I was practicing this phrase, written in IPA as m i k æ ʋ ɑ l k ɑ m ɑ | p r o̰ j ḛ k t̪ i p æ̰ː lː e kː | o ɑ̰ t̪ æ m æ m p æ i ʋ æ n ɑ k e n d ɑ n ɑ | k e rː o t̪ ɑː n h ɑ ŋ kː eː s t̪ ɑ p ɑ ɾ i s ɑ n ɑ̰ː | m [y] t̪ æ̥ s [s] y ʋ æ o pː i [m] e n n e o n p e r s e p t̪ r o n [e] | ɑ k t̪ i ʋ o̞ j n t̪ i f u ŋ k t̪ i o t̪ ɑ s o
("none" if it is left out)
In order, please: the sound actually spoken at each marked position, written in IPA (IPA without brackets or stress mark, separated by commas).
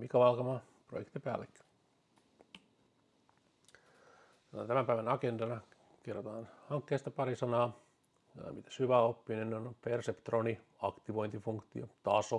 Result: i, h, n, i